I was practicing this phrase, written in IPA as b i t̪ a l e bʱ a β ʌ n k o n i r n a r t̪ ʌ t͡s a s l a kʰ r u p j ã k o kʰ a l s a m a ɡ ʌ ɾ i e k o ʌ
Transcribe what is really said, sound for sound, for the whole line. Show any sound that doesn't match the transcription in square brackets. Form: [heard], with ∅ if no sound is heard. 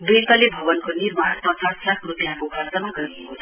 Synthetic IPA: b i t̪ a l e bʱ [ʌ] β ʌ n k o n i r [m] a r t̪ ʌ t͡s a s l a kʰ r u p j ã k o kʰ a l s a m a ɡ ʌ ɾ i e k o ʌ